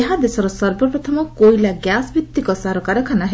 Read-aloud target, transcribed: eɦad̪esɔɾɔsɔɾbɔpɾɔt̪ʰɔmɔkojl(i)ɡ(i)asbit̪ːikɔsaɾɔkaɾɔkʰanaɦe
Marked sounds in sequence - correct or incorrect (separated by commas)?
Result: incorrect, incorrect